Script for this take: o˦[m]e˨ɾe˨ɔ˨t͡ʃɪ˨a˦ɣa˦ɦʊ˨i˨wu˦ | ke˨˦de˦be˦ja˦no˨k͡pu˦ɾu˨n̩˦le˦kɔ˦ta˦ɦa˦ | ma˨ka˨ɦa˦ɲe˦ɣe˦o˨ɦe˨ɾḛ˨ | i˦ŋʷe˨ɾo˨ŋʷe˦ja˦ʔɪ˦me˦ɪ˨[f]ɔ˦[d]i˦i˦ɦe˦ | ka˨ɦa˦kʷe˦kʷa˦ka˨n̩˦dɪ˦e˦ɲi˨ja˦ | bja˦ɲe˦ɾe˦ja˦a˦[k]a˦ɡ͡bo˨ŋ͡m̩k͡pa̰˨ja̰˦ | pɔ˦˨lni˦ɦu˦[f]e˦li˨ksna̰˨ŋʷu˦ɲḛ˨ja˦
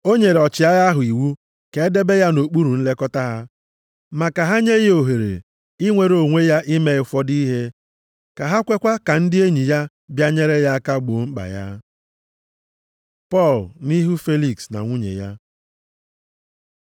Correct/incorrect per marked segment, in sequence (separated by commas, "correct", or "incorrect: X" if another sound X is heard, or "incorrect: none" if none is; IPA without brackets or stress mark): incorrect: ɲ, correct, correct, correct, correct